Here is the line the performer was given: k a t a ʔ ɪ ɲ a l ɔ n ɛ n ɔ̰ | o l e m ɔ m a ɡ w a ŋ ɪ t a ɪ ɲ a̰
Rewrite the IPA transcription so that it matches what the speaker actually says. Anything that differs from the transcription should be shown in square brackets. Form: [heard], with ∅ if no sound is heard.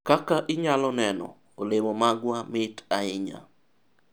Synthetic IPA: k a [k] a ʔ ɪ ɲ a l ɔ n ɛ n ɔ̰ | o l e m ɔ m a ɡ w a [m] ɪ t a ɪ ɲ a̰